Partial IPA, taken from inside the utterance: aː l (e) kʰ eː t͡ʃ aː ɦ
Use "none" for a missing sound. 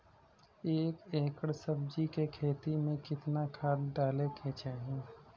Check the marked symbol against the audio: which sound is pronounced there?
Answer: e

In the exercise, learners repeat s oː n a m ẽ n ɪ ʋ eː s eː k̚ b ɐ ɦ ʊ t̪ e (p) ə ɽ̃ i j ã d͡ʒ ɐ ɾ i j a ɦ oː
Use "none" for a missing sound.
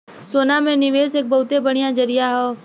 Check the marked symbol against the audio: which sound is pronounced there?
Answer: b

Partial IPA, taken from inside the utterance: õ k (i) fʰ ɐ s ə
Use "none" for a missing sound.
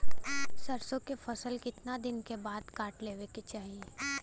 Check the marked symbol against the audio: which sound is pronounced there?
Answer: e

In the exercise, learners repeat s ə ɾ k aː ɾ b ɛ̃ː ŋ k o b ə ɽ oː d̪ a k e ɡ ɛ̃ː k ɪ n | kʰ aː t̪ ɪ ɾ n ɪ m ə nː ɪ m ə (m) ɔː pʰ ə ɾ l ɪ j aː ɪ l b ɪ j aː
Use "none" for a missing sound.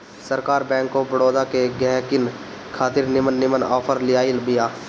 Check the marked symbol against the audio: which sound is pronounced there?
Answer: n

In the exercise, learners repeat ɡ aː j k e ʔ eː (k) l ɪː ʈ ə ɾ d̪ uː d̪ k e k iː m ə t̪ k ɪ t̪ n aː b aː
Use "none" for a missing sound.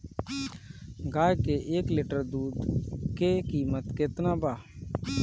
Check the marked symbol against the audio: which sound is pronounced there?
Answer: k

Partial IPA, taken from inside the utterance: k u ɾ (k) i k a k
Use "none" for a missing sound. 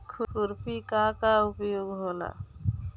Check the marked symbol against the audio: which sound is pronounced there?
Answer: p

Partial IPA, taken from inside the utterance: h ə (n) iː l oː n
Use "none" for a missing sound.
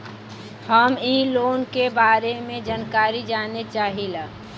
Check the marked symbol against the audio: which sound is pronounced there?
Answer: m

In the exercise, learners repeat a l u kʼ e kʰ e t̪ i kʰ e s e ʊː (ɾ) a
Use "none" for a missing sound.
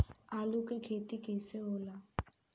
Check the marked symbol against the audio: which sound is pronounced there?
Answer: l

